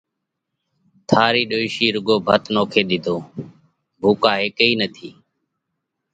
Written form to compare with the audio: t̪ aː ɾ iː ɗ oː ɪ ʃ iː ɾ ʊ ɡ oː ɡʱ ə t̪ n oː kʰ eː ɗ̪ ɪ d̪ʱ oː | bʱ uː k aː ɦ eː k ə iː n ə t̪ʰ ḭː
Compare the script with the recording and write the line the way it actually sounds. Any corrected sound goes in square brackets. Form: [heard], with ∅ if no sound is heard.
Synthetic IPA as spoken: [t̪ʰ] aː ɾ iː ɗ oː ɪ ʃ iː ɾ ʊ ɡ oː [bʱ] ə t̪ n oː kʰ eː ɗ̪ ɪ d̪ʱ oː | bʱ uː k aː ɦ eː k ə iː n ə t̪ʰ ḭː